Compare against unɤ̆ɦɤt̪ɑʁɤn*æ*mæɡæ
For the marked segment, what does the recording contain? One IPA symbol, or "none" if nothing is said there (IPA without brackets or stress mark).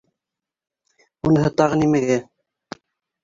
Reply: i